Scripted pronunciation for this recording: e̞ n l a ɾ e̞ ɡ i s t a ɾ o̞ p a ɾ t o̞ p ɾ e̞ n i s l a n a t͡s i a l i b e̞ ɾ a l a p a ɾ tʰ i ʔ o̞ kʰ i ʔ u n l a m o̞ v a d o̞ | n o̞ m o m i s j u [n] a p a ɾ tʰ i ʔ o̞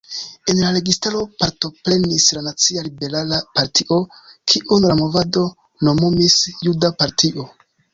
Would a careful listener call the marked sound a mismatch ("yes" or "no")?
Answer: yes